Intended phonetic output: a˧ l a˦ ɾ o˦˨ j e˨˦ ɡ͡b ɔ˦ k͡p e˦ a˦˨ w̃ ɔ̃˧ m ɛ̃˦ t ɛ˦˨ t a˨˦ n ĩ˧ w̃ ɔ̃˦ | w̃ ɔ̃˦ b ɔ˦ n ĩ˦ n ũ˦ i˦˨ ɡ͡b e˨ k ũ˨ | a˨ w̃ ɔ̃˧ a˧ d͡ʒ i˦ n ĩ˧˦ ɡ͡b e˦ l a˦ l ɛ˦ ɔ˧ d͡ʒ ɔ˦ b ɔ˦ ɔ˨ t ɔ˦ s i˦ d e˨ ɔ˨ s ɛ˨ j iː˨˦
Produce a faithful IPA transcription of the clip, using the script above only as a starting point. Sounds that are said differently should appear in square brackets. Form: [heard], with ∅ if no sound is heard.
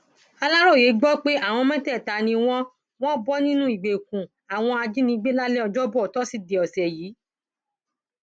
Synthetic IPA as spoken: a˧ l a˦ ɾ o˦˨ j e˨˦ ɡ͡b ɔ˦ k͡p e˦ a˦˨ w̃ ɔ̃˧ m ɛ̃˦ t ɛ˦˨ t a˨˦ n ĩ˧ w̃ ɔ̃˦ | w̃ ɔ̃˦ b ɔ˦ n ĩ˦ n ũ˦ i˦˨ ɡ͡b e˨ k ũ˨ | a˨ w̃ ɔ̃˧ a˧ d͡ʒ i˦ n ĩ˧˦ ɡ͡b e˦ l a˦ l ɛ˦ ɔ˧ d͡ʒ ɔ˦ b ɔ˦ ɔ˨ t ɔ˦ s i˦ d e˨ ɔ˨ s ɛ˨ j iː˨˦